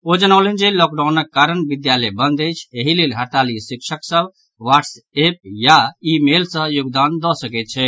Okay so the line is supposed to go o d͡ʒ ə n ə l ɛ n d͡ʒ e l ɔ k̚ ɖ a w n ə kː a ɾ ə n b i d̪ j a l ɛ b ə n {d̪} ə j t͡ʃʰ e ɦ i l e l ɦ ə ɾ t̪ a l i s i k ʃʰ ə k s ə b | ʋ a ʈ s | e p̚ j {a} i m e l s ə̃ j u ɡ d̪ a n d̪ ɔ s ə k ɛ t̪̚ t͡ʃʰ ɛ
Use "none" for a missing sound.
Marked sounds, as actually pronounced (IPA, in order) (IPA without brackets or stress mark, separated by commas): d̪, a